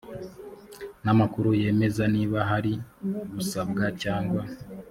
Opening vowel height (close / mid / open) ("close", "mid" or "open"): open